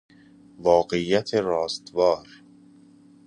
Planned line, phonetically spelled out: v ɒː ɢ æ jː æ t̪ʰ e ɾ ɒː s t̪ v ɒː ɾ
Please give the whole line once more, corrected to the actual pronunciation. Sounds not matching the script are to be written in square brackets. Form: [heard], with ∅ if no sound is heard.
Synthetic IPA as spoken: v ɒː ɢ [e] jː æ t̪ʰ e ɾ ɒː s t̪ v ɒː ɾ